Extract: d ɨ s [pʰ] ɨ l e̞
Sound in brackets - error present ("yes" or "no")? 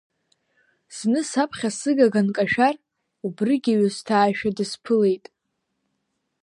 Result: no